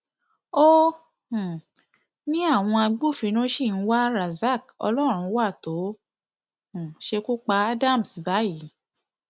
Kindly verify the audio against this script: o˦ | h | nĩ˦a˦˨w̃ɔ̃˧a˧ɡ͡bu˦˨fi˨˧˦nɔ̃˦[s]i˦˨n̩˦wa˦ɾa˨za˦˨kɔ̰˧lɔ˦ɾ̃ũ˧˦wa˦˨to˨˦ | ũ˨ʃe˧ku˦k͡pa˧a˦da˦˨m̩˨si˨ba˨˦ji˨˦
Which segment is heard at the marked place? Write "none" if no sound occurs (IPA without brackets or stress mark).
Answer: ʃ